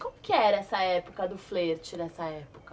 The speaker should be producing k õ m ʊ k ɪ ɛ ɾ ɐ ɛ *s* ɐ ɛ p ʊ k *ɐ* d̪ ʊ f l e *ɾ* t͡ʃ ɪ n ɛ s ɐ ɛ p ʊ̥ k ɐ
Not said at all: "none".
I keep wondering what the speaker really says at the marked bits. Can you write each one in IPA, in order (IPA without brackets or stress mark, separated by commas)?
s, ɐ, ɾ